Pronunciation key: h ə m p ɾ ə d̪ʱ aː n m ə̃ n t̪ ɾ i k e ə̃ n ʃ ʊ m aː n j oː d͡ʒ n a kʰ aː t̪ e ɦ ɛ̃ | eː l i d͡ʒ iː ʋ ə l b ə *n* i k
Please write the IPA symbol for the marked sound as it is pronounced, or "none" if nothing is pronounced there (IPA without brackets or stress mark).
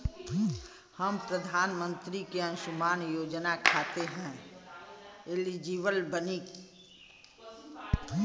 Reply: n